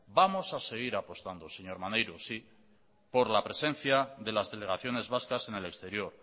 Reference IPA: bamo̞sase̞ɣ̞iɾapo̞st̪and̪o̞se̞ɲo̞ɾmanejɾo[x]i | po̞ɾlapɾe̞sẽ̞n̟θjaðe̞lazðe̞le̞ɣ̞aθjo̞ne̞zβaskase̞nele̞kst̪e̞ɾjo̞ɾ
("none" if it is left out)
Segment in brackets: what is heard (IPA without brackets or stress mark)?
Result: s